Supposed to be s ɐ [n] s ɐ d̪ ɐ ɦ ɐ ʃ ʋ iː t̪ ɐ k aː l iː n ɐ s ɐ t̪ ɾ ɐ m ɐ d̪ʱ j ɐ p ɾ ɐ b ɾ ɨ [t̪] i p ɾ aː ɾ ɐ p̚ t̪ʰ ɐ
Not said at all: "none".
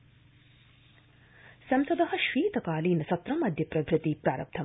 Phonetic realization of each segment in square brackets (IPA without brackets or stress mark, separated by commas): m, t̪